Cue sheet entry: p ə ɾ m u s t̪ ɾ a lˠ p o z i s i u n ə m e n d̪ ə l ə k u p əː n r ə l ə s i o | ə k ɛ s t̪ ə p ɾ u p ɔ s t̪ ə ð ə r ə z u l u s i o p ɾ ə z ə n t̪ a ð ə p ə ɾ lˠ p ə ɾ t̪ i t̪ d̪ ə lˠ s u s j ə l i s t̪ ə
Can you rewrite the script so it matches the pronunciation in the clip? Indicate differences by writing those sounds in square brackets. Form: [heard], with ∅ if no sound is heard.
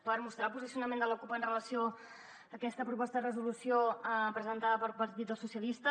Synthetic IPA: p ə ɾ m u s t̪ ɾ a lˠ p [u] z i s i u n ə m e n d̪ ə l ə k u p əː n r ə l ə s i o | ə k ɛ s t̪ ə p ɾ u p ɔ s t̪ ə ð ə r ə z u l u s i o p ɾ ə z ə n t̪ a ð ə p ə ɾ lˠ p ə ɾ t̪ i t̪ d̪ ə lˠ s u s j ə l i s t̪ ə